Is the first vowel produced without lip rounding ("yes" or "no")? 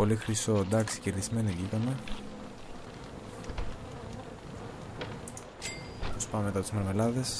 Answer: no